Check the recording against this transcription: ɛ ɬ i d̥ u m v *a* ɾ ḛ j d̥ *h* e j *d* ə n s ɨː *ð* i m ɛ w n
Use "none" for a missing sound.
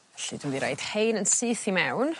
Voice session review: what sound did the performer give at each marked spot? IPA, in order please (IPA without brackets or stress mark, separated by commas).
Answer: i, h, n, θ